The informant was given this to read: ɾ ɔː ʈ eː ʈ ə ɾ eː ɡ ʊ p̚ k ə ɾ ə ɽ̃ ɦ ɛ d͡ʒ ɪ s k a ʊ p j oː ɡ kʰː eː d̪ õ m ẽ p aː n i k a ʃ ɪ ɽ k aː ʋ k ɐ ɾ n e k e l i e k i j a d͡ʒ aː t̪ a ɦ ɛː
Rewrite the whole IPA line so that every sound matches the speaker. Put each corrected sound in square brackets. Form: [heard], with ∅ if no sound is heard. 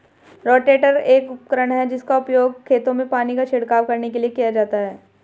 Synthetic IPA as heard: ɾ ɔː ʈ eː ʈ ə ɾ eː [k] ʊ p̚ k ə ɾ ə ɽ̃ ɦ ɛ d͡ʒ ɪ s k a ʊ p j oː ɡ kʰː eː [t̪] õ m ẽ p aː n i k a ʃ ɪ ɽ k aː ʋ k ɐ ɾ n e k e l i e k i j a d͡ʒ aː t̪ a ɦ ɛː